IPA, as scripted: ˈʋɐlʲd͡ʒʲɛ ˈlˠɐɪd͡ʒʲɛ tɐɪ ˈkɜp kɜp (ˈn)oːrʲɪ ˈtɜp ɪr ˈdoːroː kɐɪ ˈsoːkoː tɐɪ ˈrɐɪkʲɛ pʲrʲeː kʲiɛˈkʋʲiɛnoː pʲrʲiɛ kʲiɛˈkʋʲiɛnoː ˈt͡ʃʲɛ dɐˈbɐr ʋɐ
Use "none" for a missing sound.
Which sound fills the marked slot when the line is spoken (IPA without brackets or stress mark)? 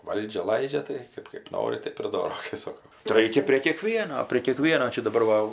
n